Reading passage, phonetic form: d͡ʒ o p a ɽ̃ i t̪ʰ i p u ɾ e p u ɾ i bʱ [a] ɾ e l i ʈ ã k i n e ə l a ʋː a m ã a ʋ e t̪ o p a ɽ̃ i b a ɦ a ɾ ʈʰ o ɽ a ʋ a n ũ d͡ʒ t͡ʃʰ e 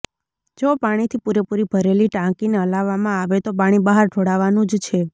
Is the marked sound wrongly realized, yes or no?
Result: yes